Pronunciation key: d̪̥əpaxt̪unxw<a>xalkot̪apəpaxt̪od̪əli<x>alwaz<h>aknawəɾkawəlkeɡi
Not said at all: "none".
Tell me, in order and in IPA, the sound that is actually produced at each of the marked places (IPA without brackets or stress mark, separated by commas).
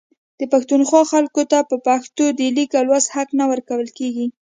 ɑ, k, h